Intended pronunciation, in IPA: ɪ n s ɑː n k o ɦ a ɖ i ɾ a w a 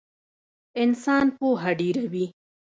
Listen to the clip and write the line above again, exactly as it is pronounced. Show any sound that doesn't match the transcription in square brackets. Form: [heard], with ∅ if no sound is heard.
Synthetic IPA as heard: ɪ n s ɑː n [p] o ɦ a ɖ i ɾ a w [i]